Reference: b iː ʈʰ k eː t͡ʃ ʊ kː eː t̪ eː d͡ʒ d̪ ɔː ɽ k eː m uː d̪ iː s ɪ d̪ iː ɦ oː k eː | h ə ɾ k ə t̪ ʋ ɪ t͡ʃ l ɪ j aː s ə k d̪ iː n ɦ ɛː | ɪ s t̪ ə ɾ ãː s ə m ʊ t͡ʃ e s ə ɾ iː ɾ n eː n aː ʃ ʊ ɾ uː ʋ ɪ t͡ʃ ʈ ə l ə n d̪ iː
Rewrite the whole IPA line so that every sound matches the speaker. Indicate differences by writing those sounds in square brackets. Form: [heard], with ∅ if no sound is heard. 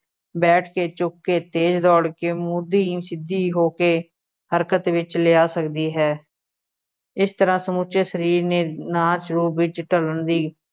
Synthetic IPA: b [ɛː] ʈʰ k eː t͡ʃ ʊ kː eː t̪ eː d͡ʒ d̪ ɔː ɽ k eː m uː d̪ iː s ɪ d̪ iː ɦ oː k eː | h ə ɾ k ə t̪ ʋ ɪ t͡ʃ l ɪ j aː s ə k d̪ iː [∅] ɦ ɛː | ɪ s t̪ ə ɾ ãː s ə m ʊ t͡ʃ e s ə ɾ iː ɾ n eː n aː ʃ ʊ ɾ uː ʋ ɪ t͡ʃ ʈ ə l ə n d̪ iː